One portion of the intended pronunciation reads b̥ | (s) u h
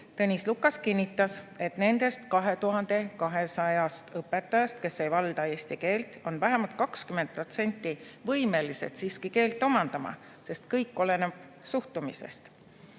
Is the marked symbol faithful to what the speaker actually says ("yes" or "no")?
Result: yes